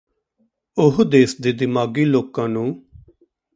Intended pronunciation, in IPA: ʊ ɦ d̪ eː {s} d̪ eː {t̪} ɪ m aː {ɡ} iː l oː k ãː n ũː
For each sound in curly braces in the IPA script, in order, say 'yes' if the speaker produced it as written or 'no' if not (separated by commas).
yes, no, yes